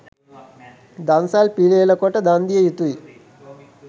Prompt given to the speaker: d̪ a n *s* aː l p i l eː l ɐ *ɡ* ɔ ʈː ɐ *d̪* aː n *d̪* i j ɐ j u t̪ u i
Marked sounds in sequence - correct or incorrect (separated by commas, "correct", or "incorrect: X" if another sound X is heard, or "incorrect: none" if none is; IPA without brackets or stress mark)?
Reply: correct, incorrect: k, correct, correct